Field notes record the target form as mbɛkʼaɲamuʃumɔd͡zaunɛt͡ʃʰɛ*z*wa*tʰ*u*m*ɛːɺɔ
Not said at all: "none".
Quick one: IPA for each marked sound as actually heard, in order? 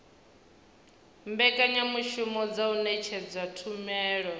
d͡z, tʰ, m

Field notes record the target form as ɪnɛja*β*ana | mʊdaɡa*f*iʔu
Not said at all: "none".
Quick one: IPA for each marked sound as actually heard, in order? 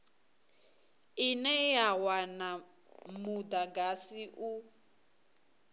w, s

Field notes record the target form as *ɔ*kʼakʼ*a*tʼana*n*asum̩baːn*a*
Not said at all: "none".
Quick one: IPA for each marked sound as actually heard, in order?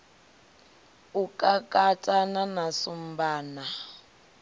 u, a, n, a

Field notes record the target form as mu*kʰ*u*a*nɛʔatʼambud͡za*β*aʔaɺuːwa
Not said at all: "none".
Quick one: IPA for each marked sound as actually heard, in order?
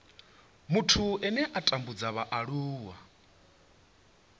tʰ, ɛ, β

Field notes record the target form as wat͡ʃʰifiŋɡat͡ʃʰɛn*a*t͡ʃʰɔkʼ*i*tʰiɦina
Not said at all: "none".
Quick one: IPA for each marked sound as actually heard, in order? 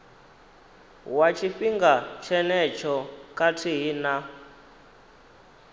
ɛ, a

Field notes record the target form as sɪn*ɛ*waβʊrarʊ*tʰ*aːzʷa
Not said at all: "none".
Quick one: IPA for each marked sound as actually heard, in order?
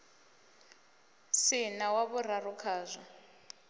a, kʰ

